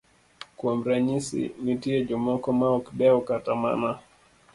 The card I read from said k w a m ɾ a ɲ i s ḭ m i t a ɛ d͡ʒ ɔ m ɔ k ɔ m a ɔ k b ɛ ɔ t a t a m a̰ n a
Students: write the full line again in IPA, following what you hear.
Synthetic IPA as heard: k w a m ɾ a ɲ i s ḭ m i t i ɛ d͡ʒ ɔ m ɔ k ɔ m a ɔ k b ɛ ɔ k a t a m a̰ n a